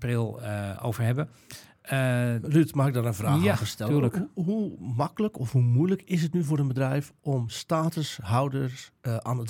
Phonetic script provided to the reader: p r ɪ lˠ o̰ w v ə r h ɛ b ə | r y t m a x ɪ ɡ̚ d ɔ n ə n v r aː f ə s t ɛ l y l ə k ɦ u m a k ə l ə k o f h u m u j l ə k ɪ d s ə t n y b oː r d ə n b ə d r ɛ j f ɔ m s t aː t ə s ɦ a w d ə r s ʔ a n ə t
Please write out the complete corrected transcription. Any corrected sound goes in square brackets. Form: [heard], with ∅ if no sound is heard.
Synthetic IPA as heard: p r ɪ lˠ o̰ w v ə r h ɛ b ə | r y t m a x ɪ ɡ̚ d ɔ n ə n v r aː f ə s t ɛ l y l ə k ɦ u m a k ə l ə k [ɔ] f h u m u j l ə k ɪ [∅] s ə t n y [v] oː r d ə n b ə d r ɛ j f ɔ m s t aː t ə s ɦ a w d ə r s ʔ a n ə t